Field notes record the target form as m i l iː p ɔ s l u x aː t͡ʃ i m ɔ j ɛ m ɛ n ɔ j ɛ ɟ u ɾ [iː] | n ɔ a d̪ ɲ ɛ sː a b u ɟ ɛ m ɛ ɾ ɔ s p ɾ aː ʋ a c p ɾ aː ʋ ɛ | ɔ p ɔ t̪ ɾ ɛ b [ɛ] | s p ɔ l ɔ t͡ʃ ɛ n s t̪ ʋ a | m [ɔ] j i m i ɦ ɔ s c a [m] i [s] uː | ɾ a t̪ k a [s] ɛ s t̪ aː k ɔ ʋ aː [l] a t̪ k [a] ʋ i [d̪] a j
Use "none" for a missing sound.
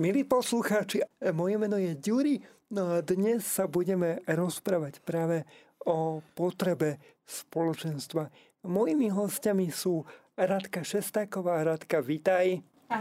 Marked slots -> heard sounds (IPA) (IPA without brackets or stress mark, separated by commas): i, ɛ, ɔ, m, s, ʃ, ɾ, a, t̪